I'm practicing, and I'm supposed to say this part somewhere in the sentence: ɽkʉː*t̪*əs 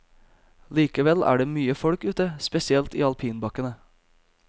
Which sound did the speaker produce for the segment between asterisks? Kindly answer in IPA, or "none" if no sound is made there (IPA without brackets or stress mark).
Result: t̪